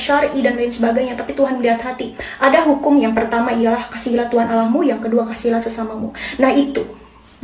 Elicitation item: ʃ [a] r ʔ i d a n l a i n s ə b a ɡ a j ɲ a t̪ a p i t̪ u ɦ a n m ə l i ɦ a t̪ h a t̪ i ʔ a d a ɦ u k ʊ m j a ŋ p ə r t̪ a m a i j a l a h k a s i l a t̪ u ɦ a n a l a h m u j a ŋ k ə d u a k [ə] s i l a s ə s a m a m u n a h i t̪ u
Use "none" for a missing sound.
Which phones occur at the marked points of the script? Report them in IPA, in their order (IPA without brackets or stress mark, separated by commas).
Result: a, a